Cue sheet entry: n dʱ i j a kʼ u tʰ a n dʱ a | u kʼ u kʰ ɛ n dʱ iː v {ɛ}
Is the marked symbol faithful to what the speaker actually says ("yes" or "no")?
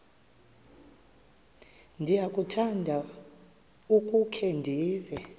yes